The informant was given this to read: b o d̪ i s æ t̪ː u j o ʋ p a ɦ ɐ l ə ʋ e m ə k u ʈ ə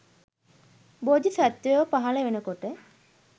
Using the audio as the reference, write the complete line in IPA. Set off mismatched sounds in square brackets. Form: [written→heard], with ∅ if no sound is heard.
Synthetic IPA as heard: b o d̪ i s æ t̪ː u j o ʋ p a ɦ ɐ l ə ʋ e [m→n] ə k [u→o] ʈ ə